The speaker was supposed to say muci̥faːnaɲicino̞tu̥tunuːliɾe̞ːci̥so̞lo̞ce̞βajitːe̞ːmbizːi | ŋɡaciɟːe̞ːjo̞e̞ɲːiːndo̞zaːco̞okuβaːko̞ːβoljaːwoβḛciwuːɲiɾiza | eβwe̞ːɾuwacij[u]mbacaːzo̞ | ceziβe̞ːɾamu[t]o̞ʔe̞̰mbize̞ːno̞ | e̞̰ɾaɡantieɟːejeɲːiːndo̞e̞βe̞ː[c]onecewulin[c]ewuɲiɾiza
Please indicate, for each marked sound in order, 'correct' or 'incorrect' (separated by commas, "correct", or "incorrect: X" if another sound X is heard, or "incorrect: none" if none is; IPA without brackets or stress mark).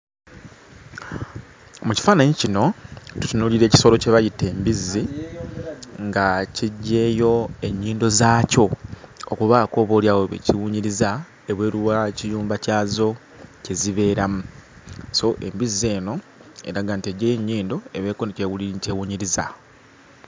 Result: incorrect: uː, incorrect: s, incorrect: k, correct